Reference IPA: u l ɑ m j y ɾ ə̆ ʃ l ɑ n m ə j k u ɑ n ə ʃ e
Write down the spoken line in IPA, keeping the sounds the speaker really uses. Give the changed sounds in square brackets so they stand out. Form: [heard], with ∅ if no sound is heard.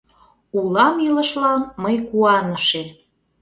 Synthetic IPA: u l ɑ m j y [l] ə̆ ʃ l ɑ n m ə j k u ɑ n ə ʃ e